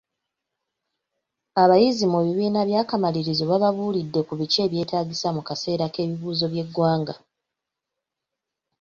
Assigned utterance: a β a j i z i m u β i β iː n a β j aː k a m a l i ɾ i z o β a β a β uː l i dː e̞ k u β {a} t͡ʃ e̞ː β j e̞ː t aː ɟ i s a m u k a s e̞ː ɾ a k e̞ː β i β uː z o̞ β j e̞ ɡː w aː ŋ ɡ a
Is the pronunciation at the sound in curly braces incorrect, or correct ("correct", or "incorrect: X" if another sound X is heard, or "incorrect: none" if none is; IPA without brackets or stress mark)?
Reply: incorrect: i